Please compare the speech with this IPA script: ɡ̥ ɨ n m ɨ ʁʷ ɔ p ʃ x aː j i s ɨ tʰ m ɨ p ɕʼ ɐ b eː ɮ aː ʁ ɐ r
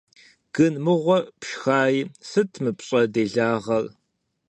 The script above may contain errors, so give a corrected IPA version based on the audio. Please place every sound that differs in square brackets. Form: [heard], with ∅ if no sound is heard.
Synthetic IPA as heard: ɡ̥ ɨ n m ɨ ʁʷ ɔ p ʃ x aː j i s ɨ tʰ m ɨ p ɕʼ ɐ [d] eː ɮ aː ʁ ɐ r